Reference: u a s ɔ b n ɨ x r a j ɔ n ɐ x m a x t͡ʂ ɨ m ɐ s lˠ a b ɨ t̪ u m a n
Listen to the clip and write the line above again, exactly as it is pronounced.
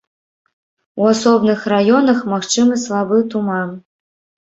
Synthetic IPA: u a s ɔ b n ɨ x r a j ɔ n ɐ x m a x t͡ʂ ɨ m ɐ s lˠ a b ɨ t̪ u m a n